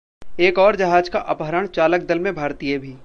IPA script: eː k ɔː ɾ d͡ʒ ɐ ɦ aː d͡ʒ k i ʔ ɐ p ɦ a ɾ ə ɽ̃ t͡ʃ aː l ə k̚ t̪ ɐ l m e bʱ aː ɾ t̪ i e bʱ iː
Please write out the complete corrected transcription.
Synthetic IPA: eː k ɔː ɾ d͡ʒ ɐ ɦ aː d͡ʒ k a ʔ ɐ p ɦ ə ɾ ə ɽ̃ t͡ʃ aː l ə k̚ d̪ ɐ l m ẽ bʱ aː ɾ t̪ i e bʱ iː

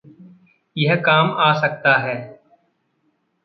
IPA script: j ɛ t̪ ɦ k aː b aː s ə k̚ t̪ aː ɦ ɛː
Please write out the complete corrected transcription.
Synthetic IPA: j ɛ ɦ k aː m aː s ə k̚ t̪ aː ɦ ɛː

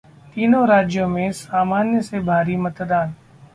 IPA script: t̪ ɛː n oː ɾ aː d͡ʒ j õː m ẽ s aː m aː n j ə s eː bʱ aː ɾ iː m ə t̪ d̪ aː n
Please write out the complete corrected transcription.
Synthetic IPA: t̪ iː n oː ɾ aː d͡ʒ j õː m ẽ s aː m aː n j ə s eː bʱ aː ɾ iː m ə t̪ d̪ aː n

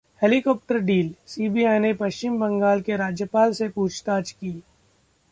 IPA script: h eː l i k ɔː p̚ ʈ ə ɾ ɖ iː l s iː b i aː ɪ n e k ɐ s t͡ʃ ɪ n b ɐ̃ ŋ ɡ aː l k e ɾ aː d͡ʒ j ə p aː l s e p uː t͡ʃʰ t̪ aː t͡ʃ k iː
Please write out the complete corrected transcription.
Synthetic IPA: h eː l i k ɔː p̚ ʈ ə ɾ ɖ iː l s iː b i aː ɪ n e p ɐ ʃ t͡ʃ ɪ m b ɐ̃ ŋ ɡ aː l k e ɾ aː d͡ʒ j ə p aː l s e p uː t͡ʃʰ t̪ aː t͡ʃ k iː

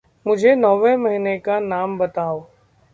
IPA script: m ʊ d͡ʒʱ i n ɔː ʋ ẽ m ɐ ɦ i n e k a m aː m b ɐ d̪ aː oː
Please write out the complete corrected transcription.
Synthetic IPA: m ʊ d͡ʒʱ e n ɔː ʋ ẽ m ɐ ɦ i n e k a n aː m b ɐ t̪ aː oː

